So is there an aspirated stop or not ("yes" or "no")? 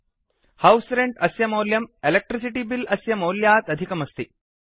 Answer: no